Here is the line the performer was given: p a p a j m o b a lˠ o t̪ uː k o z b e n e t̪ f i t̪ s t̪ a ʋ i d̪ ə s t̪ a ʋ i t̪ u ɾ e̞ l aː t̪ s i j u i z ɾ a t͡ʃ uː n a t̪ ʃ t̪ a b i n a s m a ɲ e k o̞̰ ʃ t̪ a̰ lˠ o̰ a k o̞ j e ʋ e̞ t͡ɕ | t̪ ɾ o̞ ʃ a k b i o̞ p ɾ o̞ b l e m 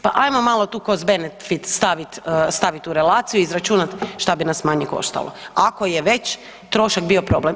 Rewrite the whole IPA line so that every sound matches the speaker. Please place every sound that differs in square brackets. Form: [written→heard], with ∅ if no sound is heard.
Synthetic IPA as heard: p a [p→ʔ] a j m o [b→m] a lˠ o t̪ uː k o z b e n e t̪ f i t̪ s t̪ a ʋ i [d̪→t̪] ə s t̪ a ʋ i t̪ u ɾ e̞ l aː t̪ s i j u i z ɾ a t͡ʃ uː n a t̪ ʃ t̪ a b i n a s m a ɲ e k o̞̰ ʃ t̪ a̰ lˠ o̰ a k o̞ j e ʋ e̞ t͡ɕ | t̪ ɾ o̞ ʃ a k b i o̞ p ɾ o̞ b l e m